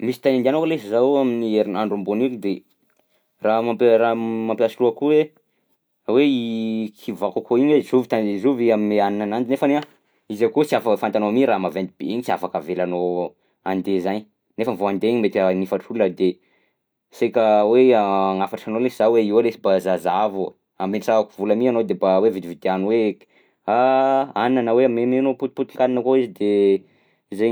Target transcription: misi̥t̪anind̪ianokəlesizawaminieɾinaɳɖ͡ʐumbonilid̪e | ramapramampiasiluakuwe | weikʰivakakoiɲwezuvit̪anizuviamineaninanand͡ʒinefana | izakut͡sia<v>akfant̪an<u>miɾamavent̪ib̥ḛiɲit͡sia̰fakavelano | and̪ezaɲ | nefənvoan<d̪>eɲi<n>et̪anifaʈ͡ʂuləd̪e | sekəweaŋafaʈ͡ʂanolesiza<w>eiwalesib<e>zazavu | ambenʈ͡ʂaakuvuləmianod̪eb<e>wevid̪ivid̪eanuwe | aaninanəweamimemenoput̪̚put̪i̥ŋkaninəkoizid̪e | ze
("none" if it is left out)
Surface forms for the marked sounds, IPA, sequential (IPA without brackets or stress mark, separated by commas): f, o, d̪, m, w, a, a